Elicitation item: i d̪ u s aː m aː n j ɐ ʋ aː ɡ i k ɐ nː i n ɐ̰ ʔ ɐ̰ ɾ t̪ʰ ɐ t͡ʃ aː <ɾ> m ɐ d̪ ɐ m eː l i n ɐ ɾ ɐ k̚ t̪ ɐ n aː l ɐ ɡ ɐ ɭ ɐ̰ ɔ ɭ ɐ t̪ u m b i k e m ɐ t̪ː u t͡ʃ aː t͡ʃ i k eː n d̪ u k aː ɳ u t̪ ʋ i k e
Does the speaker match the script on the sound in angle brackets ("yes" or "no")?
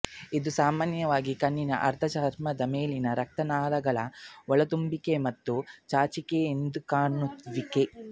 yes